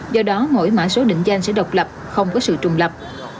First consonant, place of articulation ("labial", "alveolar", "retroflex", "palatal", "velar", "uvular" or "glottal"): alveolar